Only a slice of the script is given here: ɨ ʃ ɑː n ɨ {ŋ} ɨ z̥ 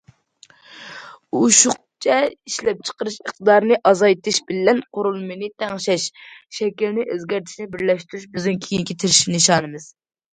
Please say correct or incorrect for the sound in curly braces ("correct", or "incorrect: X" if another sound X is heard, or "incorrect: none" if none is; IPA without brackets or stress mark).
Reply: incorrect: m